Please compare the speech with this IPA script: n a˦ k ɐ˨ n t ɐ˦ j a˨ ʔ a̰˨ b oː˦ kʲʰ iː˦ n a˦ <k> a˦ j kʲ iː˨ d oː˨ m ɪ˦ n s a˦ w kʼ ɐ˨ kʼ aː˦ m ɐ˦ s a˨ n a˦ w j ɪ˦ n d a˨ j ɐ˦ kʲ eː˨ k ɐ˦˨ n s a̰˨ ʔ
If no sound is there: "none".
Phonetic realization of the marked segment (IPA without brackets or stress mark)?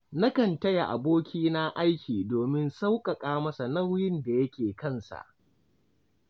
ʔ